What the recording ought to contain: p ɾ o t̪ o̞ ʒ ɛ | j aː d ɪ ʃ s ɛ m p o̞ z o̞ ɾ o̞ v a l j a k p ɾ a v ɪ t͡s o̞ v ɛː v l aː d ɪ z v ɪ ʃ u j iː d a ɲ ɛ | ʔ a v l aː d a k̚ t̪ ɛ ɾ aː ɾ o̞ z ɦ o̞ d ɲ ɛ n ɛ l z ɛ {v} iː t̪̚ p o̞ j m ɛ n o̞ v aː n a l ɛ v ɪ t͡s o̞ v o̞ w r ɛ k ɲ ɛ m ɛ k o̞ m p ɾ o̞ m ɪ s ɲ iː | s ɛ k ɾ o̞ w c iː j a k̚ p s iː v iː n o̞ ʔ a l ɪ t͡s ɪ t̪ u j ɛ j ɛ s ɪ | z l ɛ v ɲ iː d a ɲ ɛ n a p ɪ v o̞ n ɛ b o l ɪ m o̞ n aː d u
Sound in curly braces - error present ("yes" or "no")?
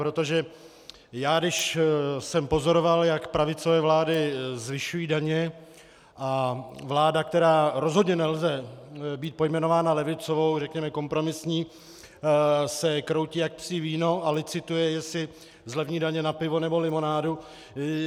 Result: yes